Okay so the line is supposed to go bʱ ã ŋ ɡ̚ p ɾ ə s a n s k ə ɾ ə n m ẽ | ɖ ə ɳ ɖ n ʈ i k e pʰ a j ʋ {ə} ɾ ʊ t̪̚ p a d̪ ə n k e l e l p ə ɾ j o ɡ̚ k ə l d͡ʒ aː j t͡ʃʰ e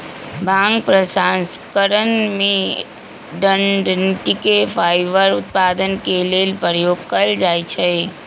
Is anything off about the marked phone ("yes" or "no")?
no